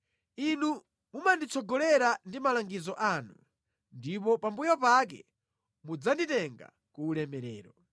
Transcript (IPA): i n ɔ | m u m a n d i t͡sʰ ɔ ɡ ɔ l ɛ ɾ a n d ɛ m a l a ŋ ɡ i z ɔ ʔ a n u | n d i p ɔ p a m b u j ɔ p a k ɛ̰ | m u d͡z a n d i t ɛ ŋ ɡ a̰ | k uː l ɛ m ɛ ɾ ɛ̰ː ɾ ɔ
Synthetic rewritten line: i n u | m u m a n d i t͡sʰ ɔ ɡ ɔ l ɛ ɾ a n d i m a l a ŋ ɡ i z ɔ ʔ a n u | n d i p ɔ p a m b u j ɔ p a k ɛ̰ | m u d͡z a n d i t ɛ ŋ ɡ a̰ | k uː l ɛ m ɛ ɾ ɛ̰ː ɾ ɔ